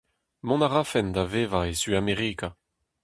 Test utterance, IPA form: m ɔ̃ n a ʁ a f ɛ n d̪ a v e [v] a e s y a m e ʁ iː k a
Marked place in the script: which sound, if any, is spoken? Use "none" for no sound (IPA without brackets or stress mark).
v